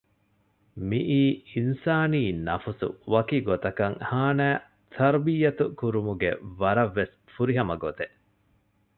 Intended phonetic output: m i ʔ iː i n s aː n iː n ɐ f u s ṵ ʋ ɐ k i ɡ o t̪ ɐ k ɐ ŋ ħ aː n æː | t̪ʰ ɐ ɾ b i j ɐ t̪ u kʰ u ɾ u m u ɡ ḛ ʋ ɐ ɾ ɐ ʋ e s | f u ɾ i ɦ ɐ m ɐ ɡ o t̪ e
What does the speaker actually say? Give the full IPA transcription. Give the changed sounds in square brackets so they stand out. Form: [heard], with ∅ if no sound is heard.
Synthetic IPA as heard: m i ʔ iː i n s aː n iː n ɐ f u s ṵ ʋ ɐ k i ɡ o t̪ ɐ k ɐ ŋ [h] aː n æː | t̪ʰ ɐ ɾ b i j ɐ t̪ u [k] u ɾ u m u ɡ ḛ ʋ ɐ ɾ ɐ [ʋː] e s | f u ɾ i ɦ ɐ m ɐ ɡ o t̪ e